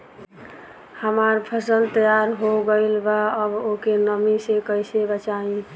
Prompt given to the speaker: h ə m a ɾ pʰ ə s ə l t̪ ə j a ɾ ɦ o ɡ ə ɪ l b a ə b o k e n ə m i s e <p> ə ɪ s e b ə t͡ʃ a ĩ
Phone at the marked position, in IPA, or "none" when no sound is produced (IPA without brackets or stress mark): k